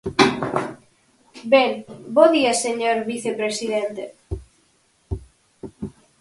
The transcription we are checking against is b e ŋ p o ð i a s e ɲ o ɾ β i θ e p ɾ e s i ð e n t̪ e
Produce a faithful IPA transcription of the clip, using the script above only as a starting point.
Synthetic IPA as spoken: b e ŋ b o ð i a s e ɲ o ɾ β i θ e p ɾ e s i ð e n t̪ e

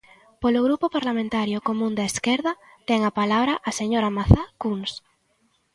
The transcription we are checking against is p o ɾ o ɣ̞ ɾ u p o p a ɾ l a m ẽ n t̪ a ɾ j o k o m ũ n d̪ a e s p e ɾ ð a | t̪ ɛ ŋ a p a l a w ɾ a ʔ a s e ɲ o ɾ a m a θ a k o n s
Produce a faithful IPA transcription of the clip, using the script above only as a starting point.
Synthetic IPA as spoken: p o l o ɣ̞ ɾ u p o p a ɾ l a m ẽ n t̪ a ɾ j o k o m ũ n d̪ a e s k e ɾ ð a | t̪ ɛ ŋ a p a l a β ɾ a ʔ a s e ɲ o ɾ a m a θ a k u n s

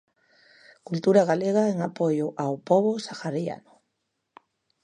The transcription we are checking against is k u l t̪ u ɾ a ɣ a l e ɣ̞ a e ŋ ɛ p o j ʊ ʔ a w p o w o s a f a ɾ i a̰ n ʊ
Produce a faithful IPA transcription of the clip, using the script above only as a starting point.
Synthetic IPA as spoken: k u l t̪ u ɾ a ɣ a l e ɣ̞ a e ŋ a p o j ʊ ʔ a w p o β o s a x a ɾ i a̰ n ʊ

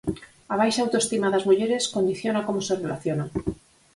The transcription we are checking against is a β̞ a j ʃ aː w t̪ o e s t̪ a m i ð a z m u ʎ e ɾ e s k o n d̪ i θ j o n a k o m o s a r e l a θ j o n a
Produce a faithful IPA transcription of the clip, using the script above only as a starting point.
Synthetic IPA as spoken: a β̞ a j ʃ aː w t̪ o e s t̪ i m a ð a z m u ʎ e ɾ e s k o n d̪ i θ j o n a k o m o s e r e l a θ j o n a

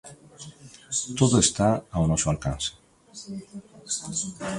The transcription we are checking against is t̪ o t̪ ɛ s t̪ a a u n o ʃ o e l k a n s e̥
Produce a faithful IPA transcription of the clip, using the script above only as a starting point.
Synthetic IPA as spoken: t̪ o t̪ e s t̪ a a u n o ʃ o a l k a n s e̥

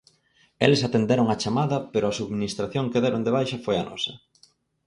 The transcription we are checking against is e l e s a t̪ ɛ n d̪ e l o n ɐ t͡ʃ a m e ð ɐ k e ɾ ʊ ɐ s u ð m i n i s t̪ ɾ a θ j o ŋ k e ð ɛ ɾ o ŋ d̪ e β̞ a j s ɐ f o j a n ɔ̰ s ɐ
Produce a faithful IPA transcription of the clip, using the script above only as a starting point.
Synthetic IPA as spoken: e l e s a t̪ e n d̪ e ɾ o ŋ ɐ t͡ʃ a m a ð ɐ p e ɾ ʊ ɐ s u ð m i n i s t̪ ɾ a θ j o ŋ k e ð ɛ ɾ o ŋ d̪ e β̞ a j ʃ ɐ f o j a n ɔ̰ s ɐ

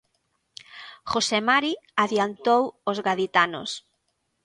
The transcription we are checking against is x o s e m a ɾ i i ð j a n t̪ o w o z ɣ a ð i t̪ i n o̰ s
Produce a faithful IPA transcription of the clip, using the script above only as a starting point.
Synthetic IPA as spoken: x o s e m a ɾ i a ð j a n t̪ o w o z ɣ a ð i t̪ a n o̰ s

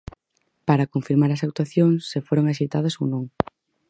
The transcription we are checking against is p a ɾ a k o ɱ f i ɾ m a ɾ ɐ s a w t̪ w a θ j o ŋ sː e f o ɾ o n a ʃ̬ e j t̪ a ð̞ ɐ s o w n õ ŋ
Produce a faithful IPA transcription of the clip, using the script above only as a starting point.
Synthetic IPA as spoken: p a ɾ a k o ɱ f i ɾ m a ɾ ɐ s a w t̪ w a θ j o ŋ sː e f o ɾ o ŋ a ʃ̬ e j t̪ a ð̞ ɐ s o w n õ ŋ

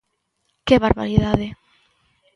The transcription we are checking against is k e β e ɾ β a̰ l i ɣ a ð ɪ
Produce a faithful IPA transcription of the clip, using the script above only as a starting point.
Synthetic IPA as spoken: k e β a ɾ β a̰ ɾ i ð a ð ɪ

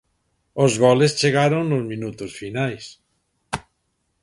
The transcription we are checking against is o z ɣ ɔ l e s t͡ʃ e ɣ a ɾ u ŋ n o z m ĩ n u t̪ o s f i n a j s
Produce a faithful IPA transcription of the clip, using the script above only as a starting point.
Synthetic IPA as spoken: o z ɣ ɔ l e s t͡ʃ e ɣ a ɾ o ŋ n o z m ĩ n u t̪ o s f i n a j s

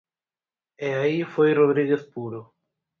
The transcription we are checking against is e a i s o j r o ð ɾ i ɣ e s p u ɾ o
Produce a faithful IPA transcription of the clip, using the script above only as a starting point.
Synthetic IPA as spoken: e a i f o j r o ð ɾ i ɣ e θ p u ɾ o

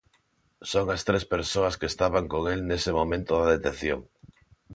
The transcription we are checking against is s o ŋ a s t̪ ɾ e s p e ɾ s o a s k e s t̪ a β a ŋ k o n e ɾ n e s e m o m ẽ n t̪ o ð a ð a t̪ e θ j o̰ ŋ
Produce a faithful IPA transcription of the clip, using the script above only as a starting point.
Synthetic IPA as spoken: s o ŋ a s t̪ ɾ e s p e ɾ s o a s k e s t̪ a β a ŋ k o ŋ e l n e s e m o m ẽ n t̪ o ð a ð e t̪ e θ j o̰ ŋ

